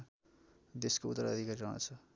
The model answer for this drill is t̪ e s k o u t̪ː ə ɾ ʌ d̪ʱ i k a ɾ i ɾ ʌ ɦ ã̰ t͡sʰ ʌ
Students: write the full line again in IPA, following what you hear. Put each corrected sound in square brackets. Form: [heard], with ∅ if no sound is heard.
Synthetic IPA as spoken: [d̪] e s k o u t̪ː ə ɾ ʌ d̪ʱ i k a ɾ i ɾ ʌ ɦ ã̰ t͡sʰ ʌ